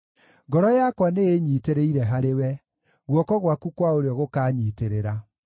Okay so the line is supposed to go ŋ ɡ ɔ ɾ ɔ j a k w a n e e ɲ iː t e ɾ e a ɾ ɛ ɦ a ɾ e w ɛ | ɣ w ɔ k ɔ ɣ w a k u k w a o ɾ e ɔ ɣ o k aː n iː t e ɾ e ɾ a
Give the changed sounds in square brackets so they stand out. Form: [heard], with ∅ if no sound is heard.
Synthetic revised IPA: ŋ ɡ ɔ ɾ ɔ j a k w a n e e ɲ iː t e ɾ e [i] ɾ ɛ ɦ a ɾ e w ɛ | ɣ w ɔ k ɔ ɣ w a k u k w a o ɾ e ɔ ɣ o k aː [ɲ] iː t e ɾ e ɾ a